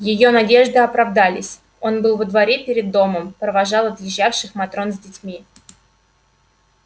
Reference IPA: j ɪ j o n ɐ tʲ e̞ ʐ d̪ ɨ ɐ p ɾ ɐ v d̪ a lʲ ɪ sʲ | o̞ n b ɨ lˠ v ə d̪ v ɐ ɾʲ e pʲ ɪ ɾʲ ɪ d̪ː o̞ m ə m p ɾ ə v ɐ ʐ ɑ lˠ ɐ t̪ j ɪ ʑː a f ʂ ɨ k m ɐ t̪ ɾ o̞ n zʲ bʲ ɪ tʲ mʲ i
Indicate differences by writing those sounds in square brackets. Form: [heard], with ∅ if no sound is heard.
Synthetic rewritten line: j ɪ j o n ɐ [dʲ] e̞ ʐ d̪ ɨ ɐ p ɾ ɐ v d̪ a lʲ ɪ sʲ | o̞ n b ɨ lˠ v ə d̪ v ɐ ɾʲ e pʲ ɪ ɾʲ ɪ d̪ː o̞ m ə m p ɾ ə v ɐ ʐ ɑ lˠ ɐ t̪ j ɪ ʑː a f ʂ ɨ [x] m ɐ t̪ ɾ o̞ n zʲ [dʲ] ɪ tʲ mʲ i